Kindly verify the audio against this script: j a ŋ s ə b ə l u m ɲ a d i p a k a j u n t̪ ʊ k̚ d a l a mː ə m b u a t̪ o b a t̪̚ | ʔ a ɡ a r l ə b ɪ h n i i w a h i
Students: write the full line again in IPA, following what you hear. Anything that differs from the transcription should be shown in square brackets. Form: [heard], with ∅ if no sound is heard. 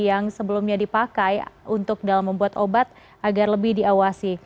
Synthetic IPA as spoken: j a ŋ s ə b ə l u m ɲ a d i p a k a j u n t̪ ʊ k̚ d a l a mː ə m b u a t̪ o b a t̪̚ | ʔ a ɡ a r l ə b ɪ h [d] i [a] w a [s] i